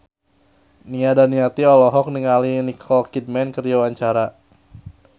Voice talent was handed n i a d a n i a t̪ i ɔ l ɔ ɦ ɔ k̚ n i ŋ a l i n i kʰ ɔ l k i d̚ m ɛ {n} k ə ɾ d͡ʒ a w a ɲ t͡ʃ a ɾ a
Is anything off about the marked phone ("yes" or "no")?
no